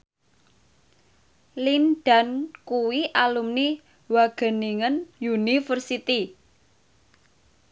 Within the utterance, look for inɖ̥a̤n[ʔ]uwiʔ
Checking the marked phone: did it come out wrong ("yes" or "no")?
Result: yes